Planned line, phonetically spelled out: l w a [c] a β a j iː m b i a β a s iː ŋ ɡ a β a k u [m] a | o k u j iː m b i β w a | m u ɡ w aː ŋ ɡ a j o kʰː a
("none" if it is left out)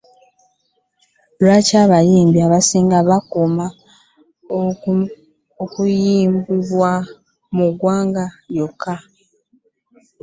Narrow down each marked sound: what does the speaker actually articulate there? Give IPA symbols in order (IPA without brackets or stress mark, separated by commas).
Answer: c, m